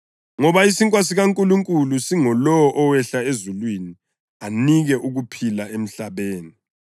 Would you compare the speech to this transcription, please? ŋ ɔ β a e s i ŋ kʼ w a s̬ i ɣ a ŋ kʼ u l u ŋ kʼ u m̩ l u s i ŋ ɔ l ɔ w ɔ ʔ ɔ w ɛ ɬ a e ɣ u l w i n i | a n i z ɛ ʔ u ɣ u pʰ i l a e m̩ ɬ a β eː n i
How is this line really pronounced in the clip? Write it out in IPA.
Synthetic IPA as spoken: ŋ ɔ β a i s i ŋ kʼ w a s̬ i ɣ a ŋ kʼ u l u ŋ kʼ u l u s i ŋ ɔ l ɔ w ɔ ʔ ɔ w ɛ ɬ a e z u l w i n i | a n i ɣ ɛ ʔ u ɣ u pʰ i l a e m̩ ɬ a β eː n i